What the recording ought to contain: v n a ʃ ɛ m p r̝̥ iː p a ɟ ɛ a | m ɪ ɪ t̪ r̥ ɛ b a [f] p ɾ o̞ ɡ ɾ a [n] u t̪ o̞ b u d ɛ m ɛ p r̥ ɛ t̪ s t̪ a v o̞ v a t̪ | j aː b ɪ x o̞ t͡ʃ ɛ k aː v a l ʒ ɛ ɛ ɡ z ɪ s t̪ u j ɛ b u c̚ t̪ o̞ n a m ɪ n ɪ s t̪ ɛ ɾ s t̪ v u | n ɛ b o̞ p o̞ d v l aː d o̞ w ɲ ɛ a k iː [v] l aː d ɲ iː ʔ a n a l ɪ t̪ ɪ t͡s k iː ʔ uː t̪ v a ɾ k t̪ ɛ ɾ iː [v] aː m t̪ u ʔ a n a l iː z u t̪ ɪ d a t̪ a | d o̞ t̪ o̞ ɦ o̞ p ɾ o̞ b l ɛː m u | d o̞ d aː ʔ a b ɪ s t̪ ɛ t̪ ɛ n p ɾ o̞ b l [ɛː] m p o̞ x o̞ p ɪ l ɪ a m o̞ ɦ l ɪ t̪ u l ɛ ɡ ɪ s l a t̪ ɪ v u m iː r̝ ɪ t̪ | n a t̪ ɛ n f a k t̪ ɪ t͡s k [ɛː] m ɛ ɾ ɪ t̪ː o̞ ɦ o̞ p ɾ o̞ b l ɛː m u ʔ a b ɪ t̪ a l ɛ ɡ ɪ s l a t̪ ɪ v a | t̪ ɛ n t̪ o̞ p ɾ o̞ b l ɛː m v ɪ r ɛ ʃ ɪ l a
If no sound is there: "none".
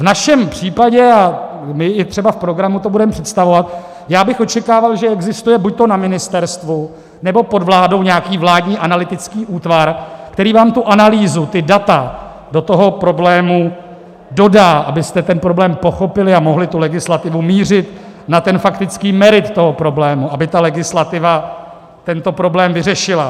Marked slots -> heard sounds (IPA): f, m, v, v, ɛː, iː

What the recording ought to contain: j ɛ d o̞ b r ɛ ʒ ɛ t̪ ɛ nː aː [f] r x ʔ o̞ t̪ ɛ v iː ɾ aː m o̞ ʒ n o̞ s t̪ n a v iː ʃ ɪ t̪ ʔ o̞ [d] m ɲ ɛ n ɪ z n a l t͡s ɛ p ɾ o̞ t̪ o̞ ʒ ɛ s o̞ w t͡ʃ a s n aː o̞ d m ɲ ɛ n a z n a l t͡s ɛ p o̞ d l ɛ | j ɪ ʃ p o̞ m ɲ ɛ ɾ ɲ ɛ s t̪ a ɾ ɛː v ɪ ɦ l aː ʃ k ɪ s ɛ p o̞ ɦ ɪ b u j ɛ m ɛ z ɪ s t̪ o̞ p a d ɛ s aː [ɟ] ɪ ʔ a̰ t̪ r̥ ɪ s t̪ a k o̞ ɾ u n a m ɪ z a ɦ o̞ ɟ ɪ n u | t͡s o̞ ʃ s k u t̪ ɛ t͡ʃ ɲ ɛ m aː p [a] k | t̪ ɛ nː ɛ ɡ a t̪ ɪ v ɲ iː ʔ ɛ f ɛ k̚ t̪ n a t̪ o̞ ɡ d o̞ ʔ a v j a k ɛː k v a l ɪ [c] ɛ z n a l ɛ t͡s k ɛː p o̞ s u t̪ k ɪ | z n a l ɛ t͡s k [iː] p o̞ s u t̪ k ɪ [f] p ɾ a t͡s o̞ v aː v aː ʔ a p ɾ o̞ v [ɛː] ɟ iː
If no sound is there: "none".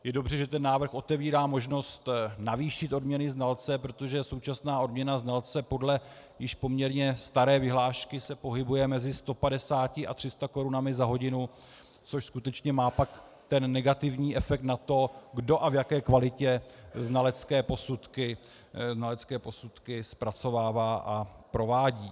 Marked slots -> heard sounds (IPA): v, d, c, a, c, ɛː, s, aː

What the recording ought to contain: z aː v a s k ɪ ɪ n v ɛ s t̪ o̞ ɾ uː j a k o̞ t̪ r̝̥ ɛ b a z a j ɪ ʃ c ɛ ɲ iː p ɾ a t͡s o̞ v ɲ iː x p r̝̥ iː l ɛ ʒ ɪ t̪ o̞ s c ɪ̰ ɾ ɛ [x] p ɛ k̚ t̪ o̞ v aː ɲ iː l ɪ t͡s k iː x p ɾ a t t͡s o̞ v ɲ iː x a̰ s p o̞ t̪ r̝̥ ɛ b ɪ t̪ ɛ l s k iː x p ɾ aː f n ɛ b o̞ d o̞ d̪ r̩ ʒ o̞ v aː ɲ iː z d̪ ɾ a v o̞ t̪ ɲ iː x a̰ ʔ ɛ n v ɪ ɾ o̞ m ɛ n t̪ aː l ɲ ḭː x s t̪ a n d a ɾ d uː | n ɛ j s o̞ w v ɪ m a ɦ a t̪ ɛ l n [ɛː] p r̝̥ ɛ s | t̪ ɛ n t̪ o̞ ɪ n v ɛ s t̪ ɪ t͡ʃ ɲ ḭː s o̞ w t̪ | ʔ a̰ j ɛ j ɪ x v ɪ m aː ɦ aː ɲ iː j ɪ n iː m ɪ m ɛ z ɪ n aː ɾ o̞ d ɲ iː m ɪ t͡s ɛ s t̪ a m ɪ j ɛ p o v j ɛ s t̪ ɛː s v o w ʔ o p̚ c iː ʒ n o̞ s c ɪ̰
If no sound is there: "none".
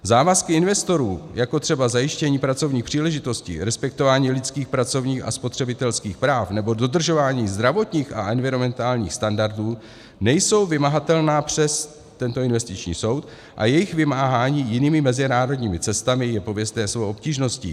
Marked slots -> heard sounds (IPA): s, aː

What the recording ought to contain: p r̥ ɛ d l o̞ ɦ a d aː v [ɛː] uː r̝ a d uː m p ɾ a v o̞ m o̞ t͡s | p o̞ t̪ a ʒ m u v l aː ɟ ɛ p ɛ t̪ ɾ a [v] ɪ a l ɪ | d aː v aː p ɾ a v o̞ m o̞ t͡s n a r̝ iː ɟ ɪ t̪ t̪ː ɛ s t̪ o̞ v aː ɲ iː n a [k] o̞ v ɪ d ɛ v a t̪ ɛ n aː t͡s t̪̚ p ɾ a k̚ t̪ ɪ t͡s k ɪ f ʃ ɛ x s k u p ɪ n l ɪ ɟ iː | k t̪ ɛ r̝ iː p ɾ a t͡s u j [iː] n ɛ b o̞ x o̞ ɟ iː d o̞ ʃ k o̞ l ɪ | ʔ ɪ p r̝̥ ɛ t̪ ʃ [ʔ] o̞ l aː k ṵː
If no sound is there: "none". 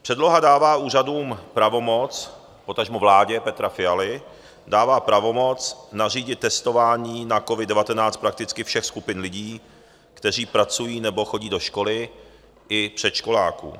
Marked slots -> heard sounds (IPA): aː, f, k, iː, k

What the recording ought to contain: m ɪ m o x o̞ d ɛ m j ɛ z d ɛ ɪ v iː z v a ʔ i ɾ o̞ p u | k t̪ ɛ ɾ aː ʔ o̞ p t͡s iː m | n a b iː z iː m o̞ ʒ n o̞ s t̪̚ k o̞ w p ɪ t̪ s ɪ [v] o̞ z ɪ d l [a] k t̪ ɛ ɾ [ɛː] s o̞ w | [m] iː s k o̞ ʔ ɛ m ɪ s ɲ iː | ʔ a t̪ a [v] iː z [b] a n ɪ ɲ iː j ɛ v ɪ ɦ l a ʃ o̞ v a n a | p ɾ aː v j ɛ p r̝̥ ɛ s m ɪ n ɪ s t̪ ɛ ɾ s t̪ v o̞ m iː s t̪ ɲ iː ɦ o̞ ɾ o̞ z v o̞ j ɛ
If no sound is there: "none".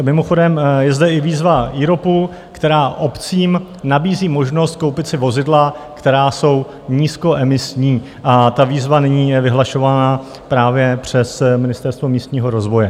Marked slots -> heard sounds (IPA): v, a, aː, ɲ, v, v

